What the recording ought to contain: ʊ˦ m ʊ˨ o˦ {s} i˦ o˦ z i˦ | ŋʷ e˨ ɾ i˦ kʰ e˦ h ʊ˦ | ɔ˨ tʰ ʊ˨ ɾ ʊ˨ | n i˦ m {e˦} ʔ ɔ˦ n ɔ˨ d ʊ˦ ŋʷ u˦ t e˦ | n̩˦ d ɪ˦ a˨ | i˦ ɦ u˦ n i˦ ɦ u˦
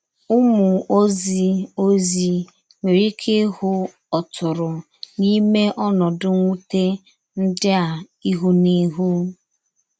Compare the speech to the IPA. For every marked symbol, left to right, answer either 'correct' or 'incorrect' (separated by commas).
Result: incorrect, correct